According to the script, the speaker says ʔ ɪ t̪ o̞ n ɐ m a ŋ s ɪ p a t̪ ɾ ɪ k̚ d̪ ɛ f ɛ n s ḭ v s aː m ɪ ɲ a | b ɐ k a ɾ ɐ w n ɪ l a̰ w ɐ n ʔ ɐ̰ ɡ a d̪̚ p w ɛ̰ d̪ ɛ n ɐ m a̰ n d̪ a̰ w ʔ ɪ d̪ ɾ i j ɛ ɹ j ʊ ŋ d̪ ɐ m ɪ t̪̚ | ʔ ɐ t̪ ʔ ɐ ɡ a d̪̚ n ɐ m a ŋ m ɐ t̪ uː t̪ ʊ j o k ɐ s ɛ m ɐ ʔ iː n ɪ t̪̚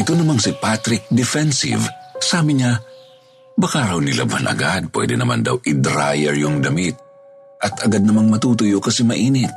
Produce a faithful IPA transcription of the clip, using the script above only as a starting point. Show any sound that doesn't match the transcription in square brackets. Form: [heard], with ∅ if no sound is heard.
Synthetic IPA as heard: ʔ ɪ t̪ o̞ n ɐ m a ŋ s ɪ p a t̪ ɾ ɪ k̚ d̪ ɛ f ɛ n s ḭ v s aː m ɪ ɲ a | b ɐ k a ɾ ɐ w n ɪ l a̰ [b] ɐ n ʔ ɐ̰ ɡ a d̪̚ p w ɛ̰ d̪ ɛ n ɐ m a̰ n d̪ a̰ w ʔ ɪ d̪ ɾ [a] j ɛ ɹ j ʊ ŋ d̪ ɐ m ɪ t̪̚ | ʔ ɐ t̪ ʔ ɐ ɡ a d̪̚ n ɐ m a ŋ m ɐ t̪ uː t̪ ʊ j o k ɐ s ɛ m ɐ ʔ iː n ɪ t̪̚